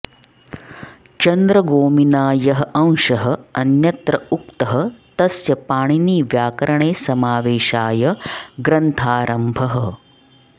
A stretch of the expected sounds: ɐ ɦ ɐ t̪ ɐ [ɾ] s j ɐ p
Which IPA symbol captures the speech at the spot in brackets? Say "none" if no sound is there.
none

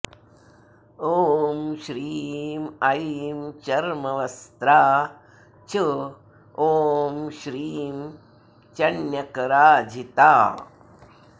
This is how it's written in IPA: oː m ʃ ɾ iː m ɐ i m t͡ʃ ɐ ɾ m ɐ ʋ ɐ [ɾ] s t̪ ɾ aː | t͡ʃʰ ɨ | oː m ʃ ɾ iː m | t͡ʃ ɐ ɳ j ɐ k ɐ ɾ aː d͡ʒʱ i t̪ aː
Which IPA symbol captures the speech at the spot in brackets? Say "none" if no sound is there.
none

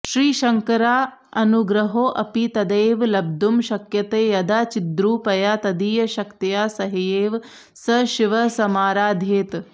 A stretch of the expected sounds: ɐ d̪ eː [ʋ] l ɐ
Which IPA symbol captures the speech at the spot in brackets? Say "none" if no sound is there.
ʋ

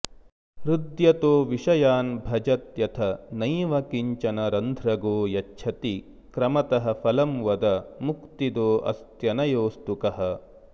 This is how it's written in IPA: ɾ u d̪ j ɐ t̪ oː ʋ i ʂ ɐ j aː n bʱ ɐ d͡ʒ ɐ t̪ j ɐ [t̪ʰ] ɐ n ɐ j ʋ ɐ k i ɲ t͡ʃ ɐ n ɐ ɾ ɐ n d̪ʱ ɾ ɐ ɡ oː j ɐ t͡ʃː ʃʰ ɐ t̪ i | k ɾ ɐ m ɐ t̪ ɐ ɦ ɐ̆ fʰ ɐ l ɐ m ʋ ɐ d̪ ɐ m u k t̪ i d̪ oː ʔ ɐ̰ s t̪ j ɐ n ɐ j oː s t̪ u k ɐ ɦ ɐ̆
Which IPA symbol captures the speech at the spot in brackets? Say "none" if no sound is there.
t̪ʰ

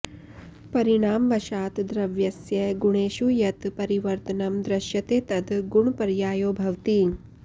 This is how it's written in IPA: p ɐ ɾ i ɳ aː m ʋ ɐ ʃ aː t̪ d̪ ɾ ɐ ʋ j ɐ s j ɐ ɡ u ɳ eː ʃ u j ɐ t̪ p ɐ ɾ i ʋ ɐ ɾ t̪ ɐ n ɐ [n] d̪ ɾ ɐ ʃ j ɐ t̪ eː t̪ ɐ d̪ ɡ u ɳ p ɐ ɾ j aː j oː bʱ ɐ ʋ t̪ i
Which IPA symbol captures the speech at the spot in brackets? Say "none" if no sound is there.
m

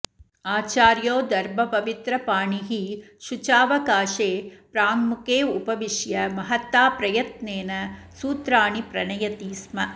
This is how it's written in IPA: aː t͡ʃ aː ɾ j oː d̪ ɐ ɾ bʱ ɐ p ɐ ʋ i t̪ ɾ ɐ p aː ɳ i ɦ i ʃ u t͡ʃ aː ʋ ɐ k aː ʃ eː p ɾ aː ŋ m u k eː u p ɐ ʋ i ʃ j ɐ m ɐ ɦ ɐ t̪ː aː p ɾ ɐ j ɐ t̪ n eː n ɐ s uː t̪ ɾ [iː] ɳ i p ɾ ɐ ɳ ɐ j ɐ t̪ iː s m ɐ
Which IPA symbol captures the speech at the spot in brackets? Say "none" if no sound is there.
aː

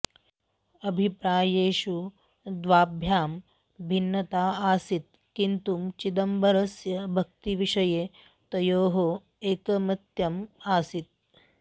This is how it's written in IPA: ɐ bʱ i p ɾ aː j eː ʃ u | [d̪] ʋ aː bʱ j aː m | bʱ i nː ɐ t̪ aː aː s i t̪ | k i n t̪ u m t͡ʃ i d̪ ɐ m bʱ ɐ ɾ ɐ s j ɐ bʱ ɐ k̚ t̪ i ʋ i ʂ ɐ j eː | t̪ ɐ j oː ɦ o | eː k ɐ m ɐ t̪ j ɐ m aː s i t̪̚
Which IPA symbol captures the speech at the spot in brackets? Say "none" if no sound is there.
d̪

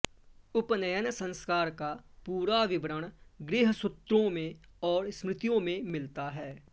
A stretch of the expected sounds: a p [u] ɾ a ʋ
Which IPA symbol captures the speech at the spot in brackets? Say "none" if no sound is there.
uː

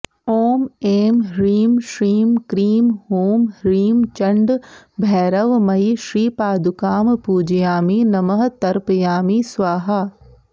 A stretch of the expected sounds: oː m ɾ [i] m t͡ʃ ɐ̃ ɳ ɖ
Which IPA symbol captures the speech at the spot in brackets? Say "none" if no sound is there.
iː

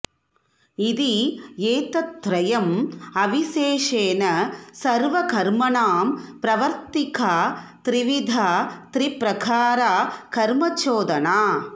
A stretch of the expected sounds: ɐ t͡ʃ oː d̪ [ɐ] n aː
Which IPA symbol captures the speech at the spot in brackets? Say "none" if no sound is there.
ɐ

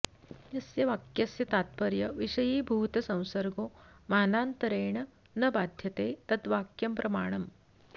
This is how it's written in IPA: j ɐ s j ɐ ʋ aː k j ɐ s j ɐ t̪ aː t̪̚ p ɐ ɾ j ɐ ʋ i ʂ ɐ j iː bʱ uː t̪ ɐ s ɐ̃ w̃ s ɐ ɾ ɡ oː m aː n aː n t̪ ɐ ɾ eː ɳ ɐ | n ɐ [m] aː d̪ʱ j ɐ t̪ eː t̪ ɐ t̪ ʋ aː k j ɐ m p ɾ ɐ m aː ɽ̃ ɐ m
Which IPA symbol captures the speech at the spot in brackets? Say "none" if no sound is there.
b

